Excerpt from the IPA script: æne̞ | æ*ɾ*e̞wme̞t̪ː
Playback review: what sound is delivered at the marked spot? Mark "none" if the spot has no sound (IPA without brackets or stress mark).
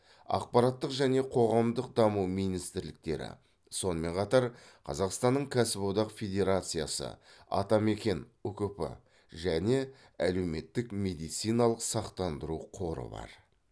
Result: l